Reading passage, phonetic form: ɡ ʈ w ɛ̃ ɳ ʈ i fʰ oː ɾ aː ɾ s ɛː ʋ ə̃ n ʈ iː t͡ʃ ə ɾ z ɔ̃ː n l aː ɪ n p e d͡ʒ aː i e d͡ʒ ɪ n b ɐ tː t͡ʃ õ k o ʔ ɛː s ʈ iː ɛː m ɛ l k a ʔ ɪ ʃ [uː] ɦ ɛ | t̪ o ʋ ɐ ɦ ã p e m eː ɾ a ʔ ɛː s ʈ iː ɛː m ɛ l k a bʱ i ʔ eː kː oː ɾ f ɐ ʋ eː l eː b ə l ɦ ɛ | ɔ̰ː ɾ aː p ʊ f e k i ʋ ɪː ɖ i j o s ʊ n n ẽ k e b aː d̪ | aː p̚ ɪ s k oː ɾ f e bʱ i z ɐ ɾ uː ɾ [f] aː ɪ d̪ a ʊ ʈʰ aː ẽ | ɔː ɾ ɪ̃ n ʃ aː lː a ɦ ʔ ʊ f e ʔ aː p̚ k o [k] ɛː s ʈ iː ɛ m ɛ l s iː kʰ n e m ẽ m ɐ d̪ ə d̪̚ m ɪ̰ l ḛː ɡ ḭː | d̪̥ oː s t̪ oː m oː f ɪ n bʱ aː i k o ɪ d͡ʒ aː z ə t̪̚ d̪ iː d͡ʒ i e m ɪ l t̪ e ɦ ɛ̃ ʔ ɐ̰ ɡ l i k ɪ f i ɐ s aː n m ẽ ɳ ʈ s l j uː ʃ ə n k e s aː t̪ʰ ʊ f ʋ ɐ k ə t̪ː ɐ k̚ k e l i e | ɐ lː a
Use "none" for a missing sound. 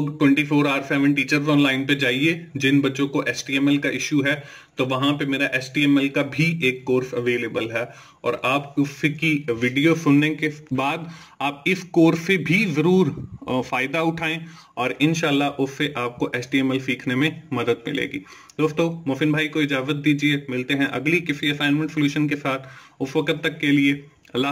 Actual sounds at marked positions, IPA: u, f, ʔ

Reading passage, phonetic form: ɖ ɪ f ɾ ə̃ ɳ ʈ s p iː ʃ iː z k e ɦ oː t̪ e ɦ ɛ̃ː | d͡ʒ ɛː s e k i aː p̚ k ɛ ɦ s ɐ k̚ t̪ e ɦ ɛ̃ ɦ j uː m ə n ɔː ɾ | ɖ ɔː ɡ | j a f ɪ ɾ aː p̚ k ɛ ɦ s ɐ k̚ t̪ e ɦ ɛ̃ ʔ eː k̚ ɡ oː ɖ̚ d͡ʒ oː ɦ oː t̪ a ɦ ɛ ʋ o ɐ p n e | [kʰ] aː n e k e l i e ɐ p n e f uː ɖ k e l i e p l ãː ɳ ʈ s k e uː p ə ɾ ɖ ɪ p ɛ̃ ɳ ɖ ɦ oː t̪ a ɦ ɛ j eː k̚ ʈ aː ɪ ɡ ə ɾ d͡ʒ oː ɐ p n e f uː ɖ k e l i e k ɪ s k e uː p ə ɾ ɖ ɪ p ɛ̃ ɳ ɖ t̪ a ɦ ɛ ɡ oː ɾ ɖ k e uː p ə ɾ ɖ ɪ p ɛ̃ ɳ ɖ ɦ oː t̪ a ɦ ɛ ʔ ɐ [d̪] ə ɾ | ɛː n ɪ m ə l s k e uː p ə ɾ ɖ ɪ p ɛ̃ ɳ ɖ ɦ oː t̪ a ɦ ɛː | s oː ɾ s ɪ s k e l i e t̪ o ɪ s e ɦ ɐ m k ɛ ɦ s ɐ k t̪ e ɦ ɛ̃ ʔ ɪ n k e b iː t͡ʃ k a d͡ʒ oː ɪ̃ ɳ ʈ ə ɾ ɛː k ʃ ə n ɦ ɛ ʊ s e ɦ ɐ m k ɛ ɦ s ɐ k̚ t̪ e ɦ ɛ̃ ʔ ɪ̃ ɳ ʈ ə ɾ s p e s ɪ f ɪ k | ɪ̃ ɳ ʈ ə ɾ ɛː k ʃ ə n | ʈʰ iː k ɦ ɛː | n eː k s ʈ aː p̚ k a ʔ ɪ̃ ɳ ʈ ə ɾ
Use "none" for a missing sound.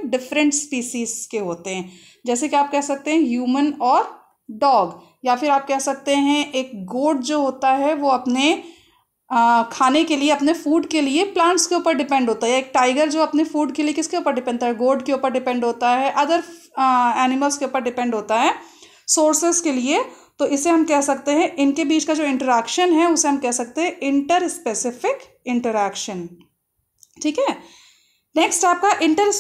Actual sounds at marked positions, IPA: kʰ, d̪

